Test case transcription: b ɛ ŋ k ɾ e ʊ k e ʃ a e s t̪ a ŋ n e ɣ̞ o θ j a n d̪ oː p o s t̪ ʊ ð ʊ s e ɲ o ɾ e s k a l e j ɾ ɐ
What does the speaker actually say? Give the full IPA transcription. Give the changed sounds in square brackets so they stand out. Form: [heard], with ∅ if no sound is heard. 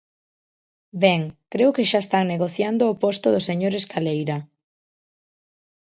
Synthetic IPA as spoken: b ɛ ŋ k ɾ e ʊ k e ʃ a e s t̪ a ŋ n e ɣ̞ o θ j a n d̪ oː p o s t̪ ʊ ð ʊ s e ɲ o ɾ e s k a l e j ɾ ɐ